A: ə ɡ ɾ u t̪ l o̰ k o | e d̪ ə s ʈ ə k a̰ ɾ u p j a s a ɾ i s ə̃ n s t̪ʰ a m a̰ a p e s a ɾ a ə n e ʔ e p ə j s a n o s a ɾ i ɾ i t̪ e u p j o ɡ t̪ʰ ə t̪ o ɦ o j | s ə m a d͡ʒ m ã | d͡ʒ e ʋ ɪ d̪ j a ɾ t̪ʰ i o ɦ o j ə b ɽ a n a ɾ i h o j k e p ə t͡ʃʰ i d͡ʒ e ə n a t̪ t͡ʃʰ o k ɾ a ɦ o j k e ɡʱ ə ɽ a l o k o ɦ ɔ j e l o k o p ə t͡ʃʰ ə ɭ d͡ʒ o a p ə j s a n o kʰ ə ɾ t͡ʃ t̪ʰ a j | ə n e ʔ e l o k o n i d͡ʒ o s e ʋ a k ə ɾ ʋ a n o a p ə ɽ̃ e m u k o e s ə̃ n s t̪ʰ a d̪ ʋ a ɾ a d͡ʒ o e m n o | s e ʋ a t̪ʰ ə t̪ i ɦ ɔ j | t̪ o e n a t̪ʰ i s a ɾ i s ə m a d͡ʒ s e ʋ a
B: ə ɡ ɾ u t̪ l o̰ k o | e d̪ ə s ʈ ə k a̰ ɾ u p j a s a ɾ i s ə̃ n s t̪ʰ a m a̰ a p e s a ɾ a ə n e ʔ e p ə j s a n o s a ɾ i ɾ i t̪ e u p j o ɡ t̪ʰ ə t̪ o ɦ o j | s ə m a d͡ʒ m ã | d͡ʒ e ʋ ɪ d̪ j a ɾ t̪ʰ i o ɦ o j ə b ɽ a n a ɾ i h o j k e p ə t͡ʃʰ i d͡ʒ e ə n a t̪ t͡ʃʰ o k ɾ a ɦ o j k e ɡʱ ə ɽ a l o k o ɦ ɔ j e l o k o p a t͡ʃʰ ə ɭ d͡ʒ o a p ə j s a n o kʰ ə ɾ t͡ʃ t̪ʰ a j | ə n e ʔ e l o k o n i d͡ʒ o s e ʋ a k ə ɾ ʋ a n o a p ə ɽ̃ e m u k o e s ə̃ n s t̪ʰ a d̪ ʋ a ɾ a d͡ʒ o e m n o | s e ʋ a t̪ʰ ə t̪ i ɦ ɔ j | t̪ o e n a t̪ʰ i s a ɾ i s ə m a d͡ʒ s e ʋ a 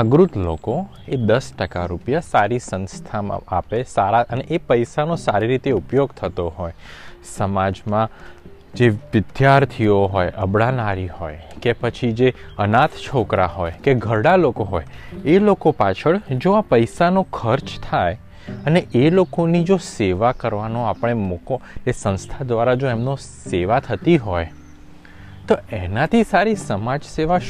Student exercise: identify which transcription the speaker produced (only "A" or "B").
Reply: B